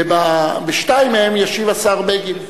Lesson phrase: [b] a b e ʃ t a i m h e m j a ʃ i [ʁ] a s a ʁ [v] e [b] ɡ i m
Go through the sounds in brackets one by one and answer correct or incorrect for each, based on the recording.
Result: correct, incorrect, incorrect, incorrect

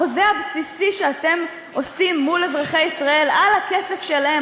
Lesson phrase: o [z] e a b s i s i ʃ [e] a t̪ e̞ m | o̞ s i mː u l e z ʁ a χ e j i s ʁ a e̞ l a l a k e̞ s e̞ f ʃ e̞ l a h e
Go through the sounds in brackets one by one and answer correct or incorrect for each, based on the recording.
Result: correct, correct

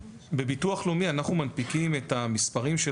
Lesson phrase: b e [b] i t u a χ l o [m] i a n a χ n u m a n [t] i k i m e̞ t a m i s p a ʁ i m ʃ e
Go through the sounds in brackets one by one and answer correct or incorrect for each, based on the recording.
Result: correct, correct, incorrect

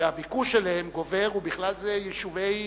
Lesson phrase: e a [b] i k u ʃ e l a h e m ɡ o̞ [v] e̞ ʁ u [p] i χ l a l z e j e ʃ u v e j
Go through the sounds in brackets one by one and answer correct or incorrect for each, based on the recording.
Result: correct, correct, incorrect

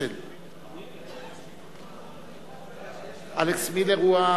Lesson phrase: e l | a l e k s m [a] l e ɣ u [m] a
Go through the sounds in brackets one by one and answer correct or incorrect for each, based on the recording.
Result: incorrect, incorrect

